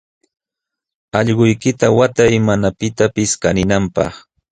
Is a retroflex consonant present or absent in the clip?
absent